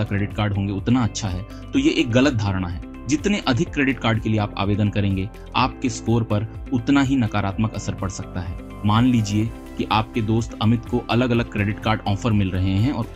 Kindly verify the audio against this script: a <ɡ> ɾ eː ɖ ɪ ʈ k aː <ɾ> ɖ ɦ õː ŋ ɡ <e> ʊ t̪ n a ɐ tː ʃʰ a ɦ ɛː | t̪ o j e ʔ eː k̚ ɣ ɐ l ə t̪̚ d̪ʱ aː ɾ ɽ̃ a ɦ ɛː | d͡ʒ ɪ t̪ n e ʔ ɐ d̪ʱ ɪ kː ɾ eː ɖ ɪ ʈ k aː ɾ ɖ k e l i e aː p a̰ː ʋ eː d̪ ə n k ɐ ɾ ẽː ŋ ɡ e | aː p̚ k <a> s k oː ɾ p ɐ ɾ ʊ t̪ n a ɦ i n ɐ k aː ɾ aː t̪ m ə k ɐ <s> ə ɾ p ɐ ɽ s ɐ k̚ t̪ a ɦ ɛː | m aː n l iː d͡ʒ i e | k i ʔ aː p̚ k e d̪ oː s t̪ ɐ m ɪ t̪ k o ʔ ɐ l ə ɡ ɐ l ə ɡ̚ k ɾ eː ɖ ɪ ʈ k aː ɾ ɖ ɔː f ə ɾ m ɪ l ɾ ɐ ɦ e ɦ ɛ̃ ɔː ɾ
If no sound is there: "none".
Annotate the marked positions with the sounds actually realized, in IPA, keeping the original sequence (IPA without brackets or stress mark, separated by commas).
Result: k, ɾ, e, e, s